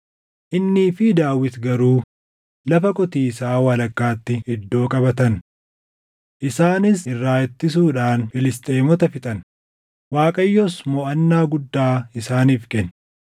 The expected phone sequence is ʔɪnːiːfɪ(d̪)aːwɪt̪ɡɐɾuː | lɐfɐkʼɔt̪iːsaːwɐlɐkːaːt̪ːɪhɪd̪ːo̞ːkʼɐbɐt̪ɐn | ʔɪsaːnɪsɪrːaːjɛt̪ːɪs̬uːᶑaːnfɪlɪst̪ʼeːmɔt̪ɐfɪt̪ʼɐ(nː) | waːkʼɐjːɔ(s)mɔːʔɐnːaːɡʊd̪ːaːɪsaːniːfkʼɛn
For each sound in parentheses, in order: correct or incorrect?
correct, incorrect, correct

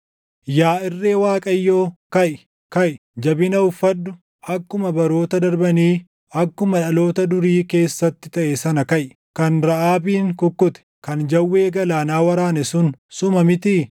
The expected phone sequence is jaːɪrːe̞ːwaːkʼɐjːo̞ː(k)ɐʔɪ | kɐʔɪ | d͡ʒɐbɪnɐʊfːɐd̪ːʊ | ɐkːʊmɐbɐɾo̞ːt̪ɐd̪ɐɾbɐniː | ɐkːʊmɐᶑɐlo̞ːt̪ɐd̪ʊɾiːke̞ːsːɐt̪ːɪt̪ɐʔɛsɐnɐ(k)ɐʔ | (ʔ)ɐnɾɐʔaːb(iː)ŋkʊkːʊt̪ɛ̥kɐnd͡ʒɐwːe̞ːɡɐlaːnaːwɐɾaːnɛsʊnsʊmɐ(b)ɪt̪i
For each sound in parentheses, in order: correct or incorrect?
correct, correct, incorrect, correct, incorrect

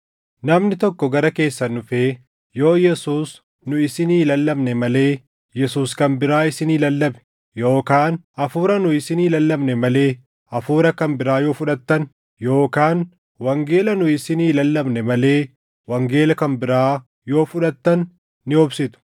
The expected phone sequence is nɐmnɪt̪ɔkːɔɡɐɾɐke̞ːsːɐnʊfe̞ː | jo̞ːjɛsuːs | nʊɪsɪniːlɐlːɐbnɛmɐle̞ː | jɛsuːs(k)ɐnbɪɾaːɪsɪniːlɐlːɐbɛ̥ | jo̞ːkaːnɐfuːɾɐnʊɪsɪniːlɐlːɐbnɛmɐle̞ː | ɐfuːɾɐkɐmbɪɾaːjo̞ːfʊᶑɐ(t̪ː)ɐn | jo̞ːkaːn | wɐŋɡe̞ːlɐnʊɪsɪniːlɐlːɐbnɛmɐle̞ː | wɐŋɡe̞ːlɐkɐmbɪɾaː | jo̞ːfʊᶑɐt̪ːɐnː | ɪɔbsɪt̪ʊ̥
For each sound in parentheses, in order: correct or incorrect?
correct, correct

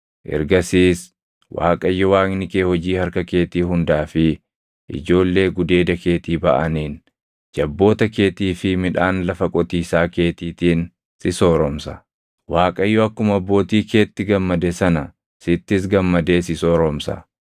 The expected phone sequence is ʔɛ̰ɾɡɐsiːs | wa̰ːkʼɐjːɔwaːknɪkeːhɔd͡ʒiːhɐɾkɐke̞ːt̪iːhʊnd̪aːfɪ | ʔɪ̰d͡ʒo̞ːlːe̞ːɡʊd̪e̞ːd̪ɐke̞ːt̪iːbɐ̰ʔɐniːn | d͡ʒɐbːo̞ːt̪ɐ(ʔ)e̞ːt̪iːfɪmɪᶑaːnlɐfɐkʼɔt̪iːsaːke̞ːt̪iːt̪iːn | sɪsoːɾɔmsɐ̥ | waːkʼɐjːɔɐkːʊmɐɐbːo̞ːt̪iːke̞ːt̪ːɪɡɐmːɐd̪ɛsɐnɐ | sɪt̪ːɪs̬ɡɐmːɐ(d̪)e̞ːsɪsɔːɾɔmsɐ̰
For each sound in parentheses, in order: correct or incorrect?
incorrect, correct

